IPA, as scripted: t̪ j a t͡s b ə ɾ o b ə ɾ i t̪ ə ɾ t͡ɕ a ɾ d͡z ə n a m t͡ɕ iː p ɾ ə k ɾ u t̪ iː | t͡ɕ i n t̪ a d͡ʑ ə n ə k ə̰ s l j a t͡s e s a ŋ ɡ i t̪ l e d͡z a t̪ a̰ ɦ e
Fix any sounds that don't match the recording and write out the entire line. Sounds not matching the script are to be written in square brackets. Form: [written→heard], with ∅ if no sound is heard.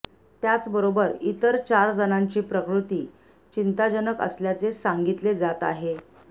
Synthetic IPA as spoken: t̪ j a t͡s b ə ɾ o b ə ɾ i t̪ ə ɾ t͡ɕ a ɾ d͡z ə n a [m→ɲ] t͡ɕ iː p ɾ ə k ɾ u t̪ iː | t͡ɕ i n t̪ a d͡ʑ ə n ə k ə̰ s l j a t͡s e s a ŋ ɡ i t̪ l e d͡z a t̪ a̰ ɦ e